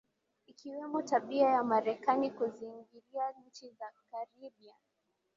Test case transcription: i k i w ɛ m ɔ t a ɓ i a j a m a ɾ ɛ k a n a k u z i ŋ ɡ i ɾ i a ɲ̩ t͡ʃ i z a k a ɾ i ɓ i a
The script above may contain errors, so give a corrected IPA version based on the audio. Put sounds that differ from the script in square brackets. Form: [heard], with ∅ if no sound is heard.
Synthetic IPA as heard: i k i w ɛ m ɔ t a ɓ i a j a m a ɾ ɛ k a n [i] k u z i ŋ ɡ i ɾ i a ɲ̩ t͡ʃ i z a k a ɾ i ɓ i a